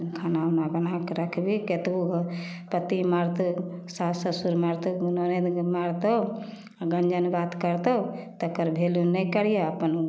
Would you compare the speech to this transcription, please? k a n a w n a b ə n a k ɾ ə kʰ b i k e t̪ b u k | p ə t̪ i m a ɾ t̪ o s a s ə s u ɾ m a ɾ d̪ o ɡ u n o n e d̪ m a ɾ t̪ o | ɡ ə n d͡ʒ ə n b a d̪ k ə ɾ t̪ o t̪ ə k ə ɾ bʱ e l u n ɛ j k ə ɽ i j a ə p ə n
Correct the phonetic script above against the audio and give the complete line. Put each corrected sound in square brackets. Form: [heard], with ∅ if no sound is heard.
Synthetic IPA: [kʰ] a n a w n a b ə n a k ɾ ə kʰ b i k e t̪ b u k | p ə t̪ i m a ɾ t̪ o s a s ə s u ɾ m a ɾ [t̪] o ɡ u n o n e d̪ m a ɾ t̪ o | ɡ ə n d͡ʒ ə n b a [t̪] k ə ɾ t̪ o t̪ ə k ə ɾ bʱ e l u n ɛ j k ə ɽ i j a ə p ə n